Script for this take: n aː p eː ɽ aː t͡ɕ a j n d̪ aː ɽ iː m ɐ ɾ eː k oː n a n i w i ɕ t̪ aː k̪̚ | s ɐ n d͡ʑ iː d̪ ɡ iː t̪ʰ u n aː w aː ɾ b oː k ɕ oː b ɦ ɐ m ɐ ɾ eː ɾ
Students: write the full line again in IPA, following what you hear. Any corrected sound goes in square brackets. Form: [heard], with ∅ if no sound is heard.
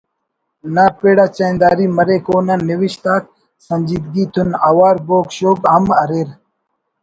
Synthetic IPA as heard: n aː p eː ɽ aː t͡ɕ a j n d̪ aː [ɾ] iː m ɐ ɾ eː k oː n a n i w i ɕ t̪ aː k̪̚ | s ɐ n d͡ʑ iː d̪ ɡ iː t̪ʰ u n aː w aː ɾ b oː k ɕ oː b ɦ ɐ m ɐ ɾ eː ɾ